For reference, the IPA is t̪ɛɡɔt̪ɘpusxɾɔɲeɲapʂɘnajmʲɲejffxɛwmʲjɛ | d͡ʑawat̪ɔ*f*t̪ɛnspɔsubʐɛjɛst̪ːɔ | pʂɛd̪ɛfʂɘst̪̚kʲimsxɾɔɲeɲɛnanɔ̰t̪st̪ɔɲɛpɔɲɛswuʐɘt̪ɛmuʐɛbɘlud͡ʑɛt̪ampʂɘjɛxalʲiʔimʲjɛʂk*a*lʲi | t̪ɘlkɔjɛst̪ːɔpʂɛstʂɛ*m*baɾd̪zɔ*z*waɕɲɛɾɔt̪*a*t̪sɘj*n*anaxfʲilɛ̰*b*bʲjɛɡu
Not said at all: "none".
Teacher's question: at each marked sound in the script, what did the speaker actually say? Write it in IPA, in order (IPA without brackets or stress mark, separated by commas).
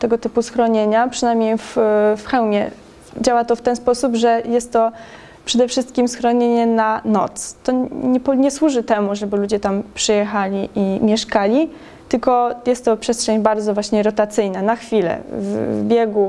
f, a, ɲ, v, a, n, v